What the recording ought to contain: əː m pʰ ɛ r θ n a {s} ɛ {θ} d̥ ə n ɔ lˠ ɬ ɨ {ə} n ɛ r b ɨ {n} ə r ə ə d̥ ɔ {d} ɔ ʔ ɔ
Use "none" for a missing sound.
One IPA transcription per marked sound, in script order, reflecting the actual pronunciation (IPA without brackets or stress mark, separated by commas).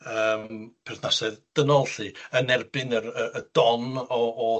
s, ð, ə, n, n